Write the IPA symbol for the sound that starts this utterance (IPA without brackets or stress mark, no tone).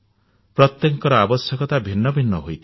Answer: p